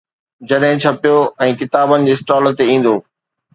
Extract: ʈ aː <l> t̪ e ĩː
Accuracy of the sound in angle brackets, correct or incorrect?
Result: correct